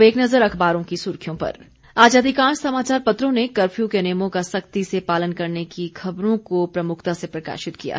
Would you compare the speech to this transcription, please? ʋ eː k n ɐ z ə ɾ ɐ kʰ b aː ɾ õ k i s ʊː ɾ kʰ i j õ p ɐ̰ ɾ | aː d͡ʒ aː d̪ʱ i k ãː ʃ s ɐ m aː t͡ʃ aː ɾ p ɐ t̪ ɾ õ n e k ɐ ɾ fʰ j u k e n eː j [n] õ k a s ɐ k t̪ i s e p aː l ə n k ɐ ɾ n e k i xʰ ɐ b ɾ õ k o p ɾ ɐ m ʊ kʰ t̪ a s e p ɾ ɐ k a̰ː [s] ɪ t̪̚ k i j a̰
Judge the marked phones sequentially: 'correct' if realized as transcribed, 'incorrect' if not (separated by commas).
incorrect, incorrect